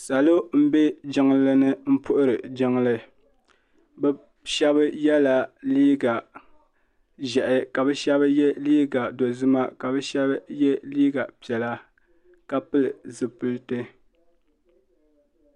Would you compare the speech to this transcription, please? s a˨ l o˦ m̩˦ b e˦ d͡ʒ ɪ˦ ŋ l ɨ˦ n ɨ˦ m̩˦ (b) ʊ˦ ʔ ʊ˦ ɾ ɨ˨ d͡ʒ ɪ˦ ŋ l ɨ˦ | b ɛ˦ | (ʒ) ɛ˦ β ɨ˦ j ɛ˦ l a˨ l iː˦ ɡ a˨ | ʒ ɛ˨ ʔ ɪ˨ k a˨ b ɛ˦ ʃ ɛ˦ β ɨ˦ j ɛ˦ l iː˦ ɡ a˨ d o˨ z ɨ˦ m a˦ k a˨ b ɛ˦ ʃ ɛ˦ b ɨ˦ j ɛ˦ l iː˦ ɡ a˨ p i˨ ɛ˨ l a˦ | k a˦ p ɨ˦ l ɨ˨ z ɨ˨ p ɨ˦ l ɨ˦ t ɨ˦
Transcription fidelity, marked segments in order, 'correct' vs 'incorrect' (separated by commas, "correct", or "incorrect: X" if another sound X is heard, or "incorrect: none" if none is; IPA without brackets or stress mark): incorrect: p, incorrect: ʃ